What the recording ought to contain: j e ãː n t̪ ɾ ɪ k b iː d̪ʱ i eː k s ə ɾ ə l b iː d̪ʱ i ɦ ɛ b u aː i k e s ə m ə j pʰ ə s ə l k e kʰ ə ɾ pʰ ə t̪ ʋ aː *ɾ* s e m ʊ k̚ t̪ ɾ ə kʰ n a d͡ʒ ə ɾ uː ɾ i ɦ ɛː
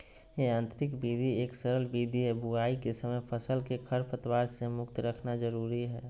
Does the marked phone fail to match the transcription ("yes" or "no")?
no